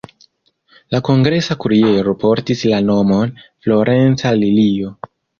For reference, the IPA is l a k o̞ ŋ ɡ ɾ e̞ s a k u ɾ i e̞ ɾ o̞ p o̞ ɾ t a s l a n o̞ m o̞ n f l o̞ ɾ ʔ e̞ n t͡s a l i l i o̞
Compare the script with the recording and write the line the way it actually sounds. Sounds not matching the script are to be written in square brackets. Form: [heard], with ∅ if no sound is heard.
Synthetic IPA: l a k o̞ ŋ ɡ ɾ e̞ s a k u ɾ i e̞ ɾ o̞ p o̞ ɾ t [i] s l a n o̞ m o̞ n f l o̞ ɾ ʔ e̞ n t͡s a l i l i o̞